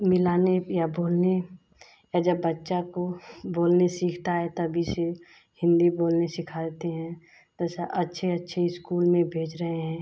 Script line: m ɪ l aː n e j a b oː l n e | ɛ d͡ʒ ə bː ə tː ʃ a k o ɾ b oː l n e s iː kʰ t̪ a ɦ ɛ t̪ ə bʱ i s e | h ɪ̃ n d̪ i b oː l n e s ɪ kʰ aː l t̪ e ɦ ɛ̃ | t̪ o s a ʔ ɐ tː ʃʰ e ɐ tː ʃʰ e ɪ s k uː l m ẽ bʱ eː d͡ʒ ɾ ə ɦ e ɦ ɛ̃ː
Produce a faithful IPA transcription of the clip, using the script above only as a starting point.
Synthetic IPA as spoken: m ɪ l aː n e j a b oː l n e | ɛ d͡ʒ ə bː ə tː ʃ a k o b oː l n e s iː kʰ t̪ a ɦ ɛ t̪ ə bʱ i s e | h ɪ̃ n d̪ i b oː l n e s ɪ kʰ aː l t̪ e ɦ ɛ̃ | t̪ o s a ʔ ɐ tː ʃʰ e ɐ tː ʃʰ e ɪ s k uː l m ẽ bʱ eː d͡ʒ ɾ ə ɦ e ɦ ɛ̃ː